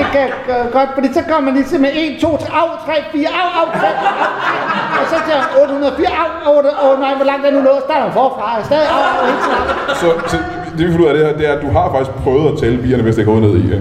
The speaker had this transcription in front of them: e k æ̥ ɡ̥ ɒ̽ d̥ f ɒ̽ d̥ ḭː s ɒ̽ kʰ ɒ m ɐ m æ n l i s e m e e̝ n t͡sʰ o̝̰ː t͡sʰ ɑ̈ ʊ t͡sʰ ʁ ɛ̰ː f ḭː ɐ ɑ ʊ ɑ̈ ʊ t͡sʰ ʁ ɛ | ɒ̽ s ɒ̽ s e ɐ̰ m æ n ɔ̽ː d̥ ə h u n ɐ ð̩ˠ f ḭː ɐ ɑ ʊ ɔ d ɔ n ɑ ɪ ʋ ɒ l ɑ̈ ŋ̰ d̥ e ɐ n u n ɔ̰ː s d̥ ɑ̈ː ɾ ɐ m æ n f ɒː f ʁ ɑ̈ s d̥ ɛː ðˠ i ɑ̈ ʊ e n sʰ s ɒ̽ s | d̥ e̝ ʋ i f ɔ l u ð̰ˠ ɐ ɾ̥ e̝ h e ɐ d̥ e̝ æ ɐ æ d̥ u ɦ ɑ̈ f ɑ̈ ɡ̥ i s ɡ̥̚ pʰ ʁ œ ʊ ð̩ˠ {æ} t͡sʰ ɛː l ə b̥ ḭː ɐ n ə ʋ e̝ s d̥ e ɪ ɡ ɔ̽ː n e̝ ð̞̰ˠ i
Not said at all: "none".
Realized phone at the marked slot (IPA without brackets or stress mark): æ